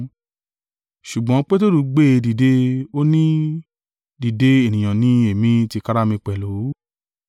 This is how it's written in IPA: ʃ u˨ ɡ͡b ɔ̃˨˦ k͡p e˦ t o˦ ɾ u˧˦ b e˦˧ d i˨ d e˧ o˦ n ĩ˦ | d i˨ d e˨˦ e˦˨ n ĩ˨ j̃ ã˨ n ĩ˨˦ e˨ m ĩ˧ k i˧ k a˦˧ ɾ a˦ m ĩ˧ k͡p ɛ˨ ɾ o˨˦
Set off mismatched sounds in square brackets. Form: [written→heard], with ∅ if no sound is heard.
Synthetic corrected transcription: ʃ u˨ ɡ͡b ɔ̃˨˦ k͡p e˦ t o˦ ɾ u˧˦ [b→ɡ͡b] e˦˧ d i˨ d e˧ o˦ n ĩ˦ | d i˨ d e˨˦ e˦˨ n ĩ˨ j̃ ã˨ n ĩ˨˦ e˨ m ĩ˧ [k→t] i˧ k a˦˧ ɾ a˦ m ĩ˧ k͡p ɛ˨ [ɾ→l] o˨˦